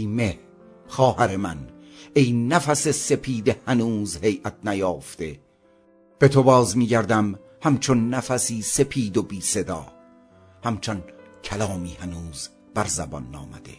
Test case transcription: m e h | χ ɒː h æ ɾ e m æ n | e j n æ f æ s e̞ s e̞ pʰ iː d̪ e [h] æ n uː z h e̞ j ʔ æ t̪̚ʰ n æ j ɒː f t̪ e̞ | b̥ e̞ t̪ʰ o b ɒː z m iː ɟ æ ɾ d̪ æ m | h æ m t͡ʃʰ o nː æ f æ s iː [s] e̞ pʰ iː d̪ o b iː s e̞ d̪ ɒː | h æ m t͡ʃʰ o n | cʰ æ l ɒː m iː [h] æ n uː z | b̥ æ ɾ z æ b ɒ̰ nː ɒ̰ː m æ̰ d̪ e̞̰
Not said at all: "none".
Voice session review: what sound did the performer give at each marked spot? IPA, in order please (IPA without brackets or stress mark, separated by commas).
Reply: h, s, h